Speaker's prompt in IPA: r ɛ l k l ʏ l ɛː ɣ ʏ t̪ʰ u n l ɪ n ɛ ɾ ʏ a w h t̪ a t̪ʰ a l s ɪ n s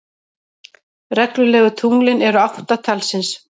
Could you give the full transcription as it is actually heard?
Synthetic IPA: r ɛ k l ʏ l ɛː ɣ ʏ t̪ʰ u ŋ l ɪ n ɛ ɾ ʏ a w h t̪ a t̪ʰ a l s ɪ n s